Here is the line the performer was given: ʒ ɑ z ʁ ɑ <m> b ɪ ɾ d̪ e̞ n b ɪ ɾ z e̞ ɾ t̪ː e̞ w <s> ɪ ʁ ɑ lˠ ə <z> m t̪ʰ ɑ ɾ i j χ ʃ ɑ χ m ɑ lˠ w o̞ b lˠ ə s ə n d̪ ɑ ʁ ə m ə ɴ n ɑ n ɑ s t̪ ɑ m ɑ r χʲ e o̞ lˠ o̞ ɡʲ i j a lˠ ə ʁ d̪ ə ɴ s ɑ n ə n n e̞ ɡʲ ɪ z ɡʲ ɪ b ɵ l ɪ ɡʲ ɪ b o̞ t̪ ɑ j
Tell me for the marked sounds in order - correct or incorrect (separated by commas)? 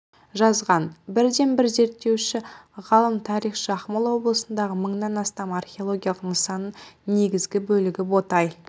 incorrect, incorrect, incorrect